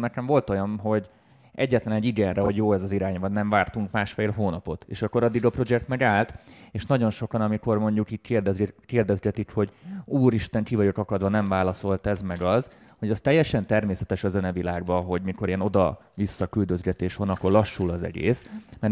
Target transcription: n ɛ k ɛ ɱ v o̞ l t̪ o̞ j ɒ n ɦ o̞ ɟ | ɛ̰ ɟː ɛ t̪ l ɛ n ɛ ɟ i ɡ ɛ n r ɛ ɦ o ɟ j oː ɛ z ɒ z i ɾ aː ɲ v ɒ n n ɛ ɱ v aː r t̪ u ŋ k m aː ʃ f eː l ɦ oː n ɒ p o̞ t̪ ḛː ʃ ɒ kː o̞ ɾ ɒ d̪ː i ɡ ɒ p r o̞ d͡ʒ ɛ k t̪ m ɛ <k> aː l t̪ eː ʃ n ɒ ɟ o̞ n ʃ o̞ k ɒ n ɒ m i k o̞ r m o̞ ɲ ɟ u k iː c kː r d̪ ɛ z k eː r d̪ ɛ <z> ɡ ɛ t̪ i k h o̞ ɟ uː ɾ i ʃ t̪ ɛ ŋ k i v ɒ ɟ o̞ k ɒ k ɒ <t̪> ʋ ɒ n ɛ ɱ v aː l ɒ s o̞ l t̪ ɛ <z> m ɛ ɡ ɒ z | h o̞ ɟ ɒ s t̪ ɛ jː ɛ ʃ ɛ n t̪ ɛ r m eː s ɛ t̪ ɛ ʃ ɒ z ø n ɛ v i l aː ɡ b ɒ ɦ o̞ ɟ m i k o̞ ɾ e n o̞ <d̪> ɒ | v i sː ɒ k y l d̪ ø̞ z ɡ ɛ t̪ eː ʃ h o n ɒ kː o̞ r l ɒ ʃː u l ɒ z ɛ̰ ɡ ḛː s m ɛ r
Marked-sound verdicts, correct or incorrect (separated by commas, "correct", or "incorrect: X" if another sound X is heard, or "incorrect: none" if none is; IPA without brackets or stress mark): incorrect: ɡ, correct, incorrect: d̪, correct, correct